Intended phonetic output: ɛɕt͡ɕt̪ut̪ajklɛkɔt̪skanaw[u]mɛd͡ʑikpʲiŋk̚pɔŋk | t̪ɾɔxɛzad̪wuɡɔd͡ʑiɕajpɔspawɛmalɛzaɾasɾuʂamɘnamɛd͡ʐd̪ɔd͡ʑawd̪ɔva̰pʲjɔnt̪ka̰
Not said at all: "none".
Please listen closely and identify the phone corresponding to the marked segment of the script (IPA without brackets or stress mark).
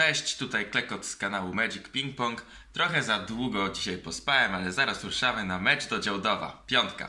u